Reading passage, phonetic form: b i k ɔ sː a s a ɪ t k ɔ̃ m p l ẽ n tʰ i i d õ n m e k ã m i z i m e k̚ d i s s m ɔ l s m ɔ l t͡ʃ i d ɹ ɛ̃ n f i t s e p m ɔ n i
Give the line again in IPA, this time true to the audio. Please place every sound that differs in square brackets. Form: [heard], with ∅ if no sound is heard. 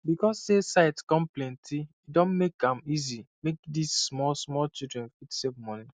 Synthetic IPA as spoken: b i k ɔ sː [e] s a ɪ t k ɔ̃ m p l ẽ n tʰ i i d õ n m e k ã m i z i m e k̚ d i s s m ɔ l s m ɔ l t͡ʃ i d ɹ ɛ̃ n f i t s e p m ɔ n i

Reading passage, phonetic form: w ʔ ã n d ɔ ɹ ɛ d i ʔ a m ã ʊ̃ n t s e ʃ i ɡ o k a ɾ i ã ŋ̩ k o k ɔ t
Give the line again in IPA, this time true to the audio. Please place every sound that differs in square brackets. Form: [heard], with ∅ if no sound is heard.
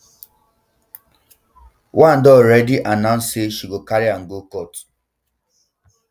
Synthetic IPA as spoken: w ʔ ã n d ɔ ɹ ɛ d i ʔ a [n] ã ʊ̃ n [s] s e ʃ i ɡ o k a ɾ i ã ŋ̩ [ɡ] o k ɔ t

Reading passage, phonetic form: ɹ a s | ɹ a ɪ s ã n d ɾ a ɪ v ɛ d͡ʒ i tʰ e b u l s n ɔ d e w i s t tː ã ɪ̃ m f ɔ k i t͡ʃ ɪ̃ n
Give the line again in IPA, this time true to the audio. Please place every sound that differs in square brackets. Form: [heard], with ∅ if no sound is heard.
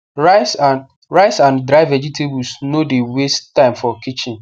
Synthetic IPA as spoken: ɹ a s | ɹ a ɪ s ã n d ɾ a ɪ v ɛ d͡ʒ i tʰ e b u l s n [o] d e w [e] s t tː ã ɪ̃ m f ɔ k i t͡ʃ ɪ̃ n

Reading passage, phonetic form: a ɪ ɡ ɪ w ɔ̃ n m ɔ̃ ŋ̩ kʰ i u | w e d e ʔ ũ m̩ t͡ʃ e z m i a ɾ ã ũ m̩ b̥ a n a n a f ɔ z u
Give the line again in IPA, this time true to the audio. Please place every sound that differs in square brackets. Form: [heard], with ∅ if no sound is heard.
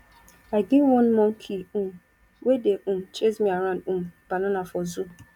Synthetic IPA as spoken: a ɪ ɡ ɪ w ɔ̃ n m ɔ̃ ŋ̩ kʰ i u | w e d e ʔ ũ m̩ t͡ʃ e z m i a ɾ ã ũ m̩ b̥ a n a n a f ɔ z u

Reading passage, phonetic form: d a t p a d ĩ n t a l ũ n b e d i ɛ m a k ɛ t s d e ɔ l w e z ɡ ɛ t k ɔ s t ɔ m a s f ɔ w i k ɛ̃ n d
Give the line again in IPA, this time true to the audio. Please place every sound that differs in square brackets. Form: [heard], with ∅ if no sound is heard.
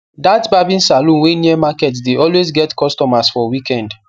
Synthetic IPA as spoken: d a t [b] a [b] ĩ n [s] a l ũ n [w] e [n] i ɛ m a k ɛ t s d e ɔ l w e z ɡ ɛ t k ɔ s t ɔ m a s f ɔ w i k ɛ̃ n d

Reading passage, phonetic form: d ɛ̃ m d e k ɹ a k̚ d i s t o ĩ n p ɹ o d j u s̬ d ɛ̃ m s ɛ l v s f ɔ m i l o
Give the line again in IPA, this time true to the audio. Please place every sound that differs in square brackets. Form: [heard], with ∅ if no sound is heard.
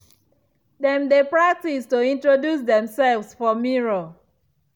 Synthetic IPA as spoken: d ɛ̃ m d e [p] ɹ a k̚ [t] i s t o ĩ n [t] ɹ o d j u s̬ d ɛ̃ m s ɛ l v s f ɔ m i [ɹ] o

